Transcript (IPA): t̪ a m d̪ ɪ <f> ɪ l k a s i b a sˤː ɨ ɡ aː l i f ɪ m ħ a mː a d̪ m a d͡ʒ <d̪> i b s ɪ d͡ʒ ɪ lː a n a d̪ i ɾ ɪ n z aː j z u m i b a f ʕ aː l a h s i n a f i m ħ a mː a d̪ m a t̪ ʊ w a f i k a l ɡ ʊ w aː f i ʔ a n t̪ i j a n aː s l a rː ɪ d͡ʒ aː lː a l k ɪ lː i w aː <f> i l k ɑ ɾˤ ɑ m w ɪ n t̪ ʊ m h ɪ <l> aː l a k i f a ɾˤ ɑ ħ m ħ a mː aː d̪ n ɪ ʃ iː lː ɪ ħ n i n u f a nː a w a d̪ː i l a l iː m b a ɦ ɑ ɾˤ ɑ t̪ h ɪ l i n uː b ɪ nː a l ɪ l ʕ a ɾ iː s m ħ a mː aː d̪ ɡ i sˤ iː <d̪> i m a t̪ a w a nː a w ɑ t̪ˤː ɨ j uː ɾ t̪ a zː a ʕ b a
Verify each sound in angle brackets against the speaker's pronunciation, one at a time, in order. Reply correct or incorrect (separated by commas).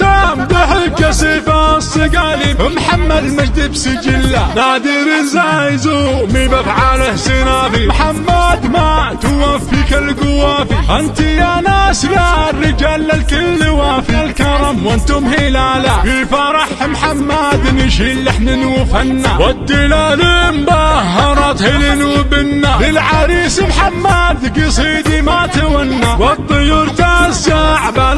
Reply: incorrect, correct, correct, correct, correct